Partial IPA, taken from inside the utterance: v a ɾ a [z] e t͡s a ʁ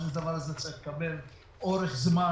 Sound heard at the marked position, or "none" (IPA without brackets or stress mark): z